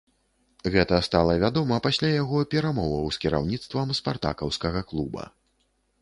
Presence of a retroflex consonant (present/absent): absent